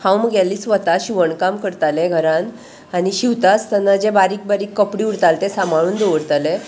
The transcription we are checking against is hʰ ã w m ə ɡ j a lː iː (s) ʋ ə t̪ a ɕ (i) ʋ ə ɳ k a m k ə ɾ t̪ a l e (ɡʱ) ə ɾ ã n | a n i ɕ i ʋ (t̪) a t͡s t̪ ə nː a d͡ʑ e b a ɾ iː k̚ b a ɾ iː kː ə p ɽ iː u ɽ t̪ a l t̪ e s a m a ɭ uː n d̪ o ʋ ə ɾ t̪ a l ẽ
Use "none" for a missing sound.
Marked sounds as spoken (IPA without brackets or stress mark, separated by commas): s, i, ɡʱ, t̪